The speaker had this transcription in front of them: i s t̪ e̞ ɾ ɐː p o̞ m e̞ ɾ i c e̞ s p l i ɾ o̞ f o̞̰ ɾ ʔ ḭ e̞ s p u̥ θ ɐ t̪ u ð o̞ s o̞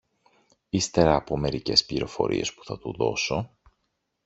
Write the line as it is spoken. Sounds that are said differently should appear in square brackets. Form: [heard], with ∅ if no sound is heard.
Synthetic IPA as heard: i s t̪ e̞ ɾ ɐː p o̞ m e̞ ɾ i c e̞ s p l i ɾ o̞ f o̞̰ ɾ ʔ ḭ e̞ s p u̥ θ ɐ t̪ u ð o̞ s o̞